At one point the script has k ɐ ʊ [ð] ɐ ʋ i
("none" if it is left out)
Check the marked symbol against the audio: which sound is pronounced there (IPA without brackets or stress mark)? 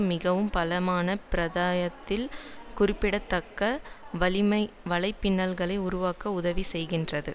ð